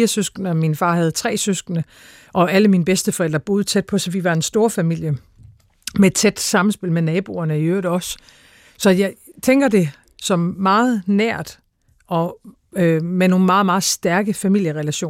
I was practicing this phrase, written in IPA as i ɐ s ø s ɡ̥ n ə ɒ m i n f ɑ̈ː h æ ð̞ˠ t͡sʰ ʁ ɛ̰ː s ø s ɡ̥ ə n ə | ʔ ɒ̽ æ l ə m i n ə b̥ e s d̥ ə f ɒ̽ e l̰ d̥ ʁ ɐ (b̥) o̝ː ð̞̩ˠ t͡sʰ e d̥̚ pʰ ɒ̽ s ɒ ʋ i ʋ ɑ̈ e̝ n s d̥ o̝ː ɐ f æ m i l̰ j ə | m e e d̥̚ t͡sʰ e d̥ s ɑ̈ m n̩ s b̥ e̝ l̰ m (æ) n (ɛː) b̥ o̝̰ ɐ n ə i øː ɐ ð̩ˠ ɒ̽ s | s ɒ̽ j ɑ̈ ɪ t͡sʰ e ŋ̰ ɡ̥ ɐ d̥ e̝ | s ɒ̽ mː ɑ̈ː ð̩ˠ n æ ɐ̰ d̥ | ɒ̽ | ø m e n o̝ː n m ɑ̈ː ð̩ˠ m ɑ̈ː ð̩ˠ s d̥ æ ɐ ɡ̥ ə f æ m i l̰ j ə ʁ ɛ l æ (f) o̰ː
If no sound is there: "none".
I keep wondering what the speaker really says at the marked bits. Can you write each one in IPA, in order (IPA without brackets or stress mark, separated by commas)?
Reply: b̥, e, ɛː, ɕ